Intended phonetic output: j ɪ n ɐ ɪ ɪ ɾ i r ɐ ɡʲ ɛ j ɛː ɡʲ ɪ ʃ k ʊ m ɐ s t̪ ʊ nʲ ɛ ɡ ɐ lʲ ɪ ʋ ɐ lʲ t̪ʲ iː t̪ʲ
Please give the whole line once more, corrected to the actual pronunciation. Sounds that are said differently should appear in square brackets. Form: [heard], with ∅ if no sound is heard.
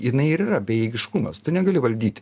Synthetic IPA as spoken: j ɪ n ɐ ɪ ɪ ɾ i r ɐ [bʲ] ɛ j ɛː ɡʲ ɪ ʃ k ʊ m ɐ s t̪ ʊ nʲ ɛ ɡ ɐ lʲ ɪ ʋ ɐ lʲ [d̪ʲ] iː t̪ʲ